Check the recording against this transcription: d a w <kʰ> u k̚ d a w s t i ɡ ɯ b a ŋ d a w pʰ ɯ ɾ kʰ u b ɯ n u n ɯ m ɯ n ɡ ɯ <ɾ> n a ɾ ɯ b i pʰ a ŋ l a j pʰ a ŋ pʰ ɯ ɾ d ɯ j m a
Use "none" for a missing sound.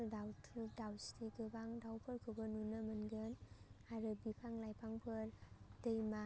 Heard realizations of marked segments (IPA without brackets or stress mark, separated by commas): tʰ, none